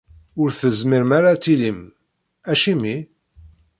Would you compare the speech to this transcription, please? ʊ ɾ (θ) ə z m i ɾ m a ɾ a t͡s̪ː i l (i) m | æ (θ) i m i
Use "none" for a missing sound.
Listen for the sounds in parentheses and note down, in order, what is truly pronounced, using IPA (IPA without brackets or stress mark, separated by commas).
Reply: θ, i, ʃ